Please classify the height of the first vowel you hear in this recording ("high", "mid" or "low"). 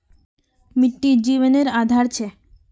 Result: high